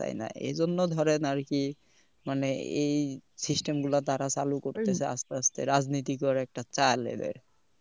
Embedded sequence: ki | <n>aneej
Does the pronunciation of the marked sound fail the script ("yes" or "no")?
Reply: yes